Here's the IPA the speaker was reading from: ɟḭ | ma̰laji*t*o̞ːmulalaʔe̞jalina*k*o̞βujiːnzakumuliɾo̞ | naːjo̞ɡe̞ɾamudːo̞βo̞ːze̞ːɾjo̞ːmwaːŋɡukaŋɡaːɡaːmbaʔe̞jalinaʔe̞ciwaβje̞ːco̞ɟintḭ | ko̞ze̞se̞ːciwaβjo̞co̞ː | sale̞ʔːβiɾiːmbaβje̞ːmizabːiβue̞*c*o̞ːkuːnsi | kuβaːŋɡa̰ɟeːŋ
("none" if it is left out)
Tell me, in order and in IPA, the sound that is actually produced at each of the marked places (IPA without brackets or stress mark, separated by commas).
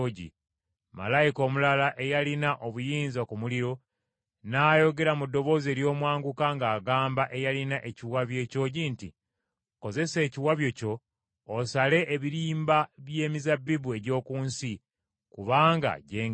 k, ʔ, ɟ